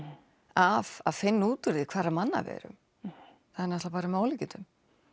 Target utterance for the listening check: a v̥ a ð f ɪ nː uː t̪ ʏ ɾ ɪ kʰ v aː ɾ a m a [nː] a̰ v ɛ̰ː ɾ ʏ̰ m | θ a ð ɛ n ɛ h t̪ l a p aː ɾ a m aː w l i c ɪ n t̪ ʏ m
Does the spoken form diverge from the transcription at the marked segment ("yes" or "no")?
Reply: no